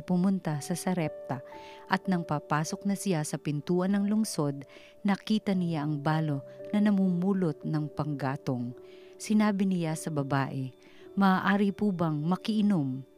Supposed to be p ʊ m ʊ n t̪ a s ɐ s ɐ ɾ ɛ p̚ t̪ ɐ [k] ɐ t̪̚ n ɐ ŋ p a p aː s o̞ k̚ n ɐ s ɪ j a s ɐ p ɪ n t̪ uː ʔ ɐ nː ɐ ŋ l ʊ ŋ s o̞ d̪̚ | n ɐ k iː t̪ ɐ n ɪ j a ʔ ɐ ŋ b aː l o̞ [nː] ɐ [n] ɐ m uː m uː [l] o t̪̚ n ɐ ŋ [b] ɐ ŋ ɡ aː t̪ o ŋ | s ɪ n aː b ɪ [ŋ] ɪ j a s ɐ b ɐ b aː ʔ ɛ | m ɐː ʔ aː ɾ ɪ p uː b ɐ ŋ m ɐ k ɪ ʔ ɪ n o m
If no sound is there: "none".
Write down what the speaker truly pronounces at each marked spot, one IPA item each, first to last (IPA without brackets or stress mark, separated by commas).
ʔ, n, n, l, p, n